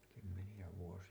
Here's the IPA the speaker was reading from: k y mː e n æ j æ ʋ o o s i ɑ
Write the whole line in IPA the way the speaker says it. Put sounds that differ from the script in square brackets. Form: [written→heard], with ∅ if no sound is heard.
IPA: k y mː e n [æ→i] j æ ʋ [o→u] o s i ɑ